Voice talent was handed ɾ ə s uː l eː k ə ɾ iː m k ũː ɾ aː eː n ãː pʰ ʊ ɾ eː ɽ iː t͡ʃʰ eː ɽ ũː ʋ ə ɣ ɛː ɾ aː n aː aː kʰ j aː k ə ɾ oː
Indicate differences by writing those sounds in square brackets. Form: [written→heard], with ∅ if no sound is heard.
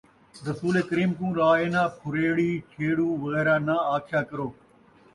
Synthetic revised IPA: ɾ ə s uː l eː k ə ɾ iː m k ũː ɾ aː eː n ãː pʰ ʊ ɾ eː ɽ iː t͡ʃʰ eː ɽ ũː ʋ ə ɣ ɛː ɾ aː n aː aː kʰ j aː k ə ɾ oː